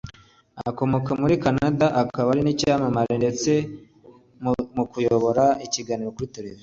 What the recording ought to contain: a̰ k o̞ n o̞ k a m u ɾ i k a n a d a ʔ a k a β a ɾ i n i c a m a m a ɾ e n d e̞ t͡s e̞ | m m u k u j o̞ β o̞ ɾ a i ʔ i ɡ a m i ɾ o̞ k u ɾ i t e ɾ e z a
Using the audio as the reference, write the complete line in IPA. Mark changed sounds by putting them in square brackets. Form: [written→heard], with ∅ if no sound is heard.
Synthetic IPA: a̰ k o̞ [n→m] o̞ k a m u ɾ i k a n a d a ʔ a k a β a ɾ i n i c a m a m a ɾ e n d e̞ t͡s e̞ | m m u k u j o̞ β o̞ ɾ a i [ʔ→c] i ɡ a [m→n] i ɾ o̞ k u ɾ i t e ɾ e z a